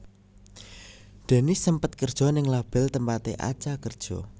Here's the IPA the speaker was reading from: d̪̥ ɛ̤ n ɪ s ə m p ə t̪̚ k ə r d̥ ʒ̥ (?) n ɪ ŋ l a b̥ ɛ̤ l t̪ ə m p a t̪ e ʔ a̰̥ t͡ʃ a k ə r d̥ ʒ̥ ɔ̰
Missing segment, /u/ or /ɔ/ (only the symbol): ɔ